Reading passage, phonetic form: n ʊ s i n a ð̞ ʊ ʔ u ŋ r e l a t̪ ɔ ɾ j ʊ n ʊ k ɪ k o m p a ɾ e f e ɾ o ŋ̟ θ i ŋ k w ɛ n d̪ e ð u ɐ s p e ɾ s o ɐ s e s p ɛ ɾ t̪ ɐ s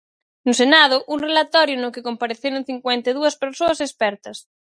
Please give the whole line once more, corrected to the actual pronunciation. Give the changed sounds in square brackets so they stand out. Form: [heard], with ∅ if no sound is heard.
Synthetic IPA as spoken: n ʊ s [e] n a ð̞ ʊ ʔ u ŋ r e l a t̪ ɔ ɾ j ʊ n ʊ k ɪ k o m p a ɾ e [θ] e ɾ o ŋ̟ θ i ŋ k w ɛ n [t̪] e ð u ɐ s p e ɾ s o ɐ s e s p ɛ ɾ t̪ ɐ s